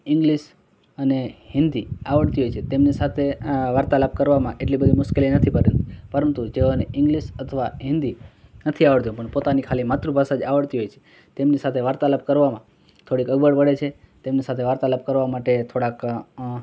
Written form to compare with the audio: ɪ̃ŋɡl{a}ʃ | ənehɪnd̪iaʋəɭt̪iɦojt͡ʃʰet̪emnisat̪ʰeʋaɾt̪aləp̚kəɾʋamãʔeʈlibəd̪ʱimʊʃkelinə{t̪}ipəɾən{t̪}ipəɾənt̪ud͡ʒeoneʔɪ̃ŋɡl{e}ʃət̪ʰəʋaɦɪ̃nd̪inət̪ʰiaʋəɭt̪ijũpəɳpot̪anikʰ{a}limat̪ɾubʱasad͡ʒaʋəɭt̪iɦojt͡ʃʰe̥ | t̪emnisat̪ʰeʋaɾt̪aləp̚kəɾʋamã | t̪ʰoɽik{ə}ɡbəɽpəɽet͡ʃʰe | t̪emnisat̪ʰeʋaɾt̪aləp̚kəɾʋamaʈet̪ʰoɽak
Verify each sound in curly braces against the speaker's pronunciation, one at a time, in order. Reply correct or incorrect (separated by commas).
incorrect, incorrect, correct, incorrect, correct, correct